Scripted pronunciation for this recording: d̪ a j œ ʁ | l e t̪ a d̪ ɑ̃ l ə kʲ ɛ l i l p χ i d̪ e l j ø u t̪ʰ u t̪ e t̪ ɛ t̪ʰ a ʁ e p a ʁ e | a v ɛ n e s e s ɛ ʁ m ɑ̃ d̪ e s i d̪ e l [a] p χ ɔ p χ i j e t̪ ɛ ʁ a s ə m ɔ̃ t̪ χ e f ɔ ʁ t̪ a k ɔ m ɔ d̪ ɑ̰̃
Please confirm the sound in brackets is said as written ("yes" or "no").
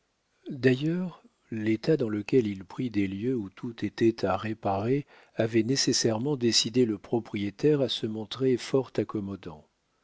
no